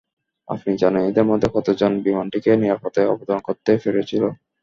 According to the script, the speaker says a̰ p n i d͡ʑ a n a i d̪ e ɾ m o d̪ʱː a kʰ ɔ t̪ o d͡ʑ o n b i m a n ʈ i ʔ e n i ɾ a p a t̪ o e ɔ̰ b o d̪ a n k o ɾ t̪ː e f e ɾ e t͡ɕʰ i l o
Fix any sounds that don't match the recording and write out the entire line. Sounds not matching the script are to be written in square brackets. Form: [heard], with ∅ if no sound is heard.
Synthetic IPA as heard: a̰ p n i d͡ʑ a n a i d̪ e ɾ m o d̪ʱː [e] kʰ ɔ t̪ o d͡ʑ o n b i m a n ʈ i [k] e n i ɾ a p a t̪ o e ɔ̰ b o d̪ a n k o ɾ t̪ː e f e ɾ e t͡ɕʰ i l o